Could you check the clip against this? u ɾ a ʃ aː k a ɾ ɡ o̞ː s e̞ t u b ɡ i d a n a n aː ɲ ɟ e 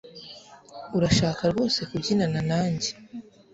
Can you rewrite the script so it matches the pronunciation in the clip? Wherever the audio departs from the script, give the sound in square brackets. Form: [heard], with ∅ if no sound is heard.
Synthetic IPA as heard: u ɾ a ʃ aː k a ɾ ɡ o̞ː s e̞ [k] u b [ɟ] i [n] a n a n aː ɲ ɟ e